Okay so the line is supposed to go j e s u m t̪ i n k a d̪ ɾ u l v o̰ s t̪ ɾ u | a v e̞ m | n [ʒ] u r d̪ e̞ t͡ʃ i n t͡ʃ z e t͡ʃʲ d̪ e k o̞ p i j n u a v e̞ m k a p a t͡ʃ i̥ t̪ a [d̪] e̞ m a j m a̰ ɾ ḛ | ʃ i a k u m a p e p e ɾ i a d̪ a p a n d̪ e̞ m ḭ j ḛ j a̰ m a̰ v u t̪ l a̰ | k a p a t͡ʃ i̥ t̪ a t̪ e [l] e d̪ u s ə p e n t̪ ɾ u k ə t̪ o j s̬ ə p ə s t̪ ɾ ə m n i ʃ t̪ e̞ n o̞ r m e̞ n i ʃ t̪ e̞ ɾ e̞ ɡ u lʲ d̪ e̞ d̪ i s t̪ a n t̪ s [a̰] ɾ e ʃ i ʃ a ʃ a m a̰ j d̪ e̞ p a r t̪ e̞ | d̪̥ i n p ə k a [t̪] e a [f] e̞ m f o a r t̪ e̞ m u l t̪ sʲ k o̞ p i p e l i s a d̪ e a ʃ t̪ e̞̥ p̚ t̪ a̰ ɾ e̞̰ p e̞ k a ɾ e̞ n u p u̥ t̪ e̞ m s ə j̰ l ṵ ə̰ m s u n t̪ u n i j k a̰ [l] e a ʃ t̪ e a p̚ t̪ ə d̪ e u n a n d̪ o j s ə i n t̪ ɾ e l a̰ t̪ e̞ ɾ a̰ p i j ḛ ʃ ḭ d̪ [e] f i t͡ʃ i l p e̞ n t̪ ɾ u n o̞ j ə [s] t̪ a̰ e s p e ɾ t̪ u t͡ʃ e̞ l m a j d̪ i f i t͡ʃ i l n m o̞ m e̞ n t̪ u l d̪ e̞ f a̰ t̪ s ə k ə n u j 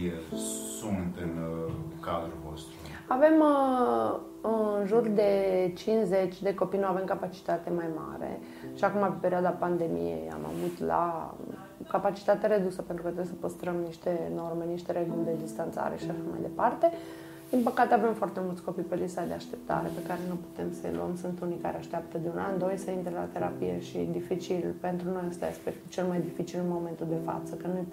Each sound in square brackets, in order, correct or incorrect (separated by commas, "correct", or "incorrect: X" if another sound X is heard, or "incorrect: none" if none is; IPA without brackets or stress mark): correct, incorrect: t̪, incorrect: ɾ, correct, correct, incorrect: v, incorrect: ɾ, incorrect: i, correct